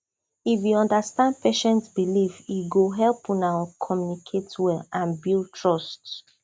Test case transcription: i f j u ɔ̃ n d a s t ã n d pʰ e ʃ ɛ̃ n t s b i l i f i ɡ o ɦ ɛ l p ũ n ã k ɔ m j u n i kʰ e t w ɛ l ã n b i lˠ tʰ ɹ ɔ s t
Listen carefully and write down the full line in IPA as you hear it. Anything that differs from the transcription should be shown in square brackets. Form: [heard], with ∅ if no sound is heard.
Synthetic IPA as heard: i f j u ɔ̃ n d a s t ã n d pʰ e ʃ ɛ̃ n t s b i l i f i ɡ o ɦ ɛ l p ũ n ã [kʰ] ɔ m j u n i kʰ e t w ɛ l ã n b i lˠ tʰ ɹ ɔ s t